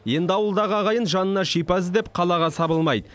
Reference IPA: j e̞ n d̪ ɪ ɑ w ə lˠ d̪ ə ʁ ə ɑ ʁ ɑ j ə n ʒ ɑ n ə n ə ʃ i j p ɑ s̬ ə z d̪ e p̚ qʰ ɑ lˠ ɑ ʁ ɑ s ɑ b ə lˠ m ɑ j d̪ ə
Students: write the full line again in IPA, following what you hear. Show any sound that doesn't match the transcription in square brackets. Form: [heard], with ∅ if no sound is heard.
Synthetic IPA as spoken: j e̞ n d̪ ɪ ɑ w ə lˠ d̪ [ɑ] ʁ ə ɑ ʁ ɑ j ə n ʒ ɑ n ə n [ɑ] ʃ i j p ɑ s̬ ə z d̪ e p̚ qʰ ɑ lˠ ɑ ʁ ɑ s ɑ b ə lˠ m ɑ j d̪ ə